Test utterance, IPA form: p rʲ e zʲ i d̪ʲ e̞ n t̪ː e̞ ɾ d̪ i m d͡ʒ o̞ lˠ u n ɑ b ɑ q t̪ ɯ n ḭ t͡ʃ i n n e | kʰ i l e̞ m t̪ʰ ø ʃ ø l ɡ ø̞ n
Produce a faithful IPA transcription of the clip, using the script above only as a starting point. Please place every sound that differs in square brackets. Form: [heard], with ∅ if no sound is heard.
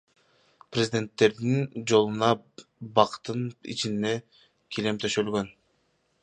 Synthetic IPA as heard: p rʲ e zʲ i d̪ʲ e̞ n t̪ː e̞ ɾ d̪ i [n] d͡ʒ o̞ lˠ u n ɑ b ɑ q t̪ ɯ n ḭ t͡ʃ i n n e | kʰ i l e̞ m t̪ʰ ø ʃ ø l ɡ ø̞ n